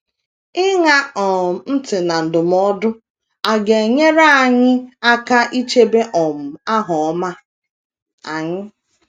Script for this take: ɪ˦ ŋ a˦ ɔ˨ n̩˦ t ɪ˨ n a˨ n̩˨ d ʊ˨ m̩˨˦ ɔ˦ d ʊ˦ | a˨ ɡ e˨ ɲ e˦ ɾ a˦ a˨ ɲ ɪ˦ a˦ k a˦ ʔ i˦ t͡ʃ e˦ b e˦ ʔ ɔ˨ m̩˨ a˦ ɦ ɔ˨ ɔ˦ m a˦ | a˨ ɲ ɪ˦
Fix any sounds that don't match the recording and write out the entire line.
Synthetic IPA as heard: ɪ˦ ŋ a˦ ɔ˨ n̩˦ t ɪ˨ n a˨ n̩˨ d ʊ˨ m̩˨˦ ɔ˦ d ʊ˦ | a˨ ɡ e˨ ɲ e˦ ɾ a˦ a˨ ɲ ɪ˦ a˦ k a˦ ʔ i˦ t͡ʃ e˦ b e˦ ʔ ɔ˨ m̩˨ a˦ ɦ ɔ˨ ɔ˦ m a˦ | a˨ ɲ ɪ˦